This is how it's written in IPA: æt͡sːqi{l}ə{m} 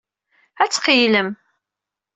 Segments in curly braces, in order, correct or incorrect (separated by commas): correct, correct